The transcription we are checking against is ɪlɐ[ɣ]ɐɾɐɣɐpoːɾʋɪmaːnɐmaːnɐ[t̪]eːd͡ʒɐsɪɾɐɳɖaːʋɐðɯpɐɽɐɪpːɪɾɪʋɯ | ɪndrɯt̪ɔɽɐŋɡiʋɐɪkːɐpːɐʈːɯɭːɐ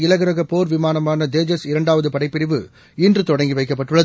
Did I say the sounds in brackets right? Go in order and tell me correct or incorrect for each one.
correct, incorrect: d̪

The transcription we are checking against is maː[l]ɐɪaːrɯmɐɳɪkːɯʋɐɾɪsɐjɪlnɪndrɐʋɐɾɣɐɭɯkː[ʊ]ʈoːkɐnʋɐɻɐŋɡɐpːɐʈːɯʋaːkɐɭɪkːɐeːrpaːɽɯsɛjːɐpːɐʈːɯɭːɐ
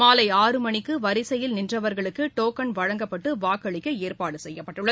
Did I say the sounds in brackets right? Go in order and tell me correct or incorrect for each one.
correct, incorrect: ɯ

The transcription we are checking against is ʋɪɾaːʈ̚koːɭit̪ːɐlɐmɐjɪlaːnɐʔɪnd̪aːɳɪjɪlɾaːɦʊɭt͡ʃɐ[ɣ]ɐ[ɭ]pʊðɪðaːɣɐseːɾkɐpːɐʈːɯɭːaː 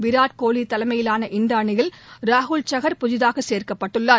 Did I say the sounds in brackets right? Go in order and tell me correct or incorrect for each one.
correct, incorrect: ɾ

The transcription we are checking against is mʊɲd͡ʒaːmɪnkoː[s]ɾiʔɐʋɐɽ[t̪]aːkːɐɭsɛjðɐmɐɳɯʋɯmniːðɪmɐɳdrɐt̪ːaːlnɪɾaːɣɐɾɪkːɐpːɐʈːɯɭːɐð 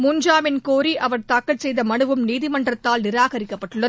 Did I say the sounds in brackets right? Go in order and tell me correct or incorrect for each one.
incorrect: none, correct

